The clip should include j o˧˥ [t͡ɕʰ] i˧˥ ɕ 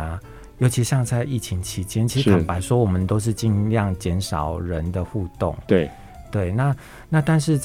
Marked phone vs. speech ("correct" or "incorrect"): correct